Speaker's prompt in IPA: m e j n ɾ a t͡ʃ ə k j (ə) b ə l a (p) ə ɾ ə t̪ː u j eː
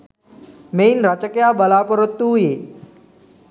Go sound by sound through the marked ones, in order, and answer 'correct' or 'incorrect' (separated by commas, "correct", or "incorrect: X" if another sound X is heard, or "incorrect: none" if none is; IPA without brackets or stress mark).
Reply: incorrect: a, correct